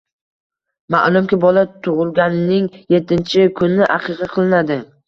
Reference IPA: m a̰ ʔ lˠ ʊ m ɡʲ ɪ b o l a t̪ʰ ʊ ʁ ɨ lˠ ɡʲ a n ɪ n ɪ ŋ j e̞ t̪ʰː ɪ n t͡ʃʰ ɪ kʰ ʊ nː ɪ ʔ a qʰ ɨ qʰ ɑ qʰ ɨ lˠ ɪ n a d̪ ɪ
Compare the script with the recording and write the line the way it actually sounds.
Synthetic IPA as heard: m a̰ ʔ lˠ ʊ m kʲ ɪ b ɒ l a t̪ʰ ʊ ʁ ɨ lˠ ɡʲ a n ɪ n ɪ ŋ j e̞ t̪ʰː ɪ n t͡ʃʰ ɪ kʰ ʊ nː ɪ ʔ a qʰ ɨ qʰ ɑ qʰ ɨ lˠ ɪ n a d̪ ɪ